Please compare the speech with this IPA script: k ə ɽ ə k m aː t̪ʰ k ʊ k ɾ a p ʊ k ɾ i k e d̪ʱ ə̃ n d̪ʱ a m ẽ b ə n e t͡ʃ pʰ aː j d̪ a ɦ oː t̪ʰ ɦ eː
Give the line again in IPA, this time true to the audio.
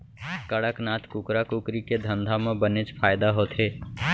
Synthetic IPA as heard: k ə ɽ ə k n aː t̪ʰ k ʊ k ɾ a k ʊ k ɾ i k e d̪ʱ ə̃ n d̪ʱ a m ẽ b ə n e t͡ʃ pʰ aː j d̪ a ɦ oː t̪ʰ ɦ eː